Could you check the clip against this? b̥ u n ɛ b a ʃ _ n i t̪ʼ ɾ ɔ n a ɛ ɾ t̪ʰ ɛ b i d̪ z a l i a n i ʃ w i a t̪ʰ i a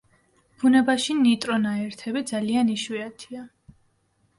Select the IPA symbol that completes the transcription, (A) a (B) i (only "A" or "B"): B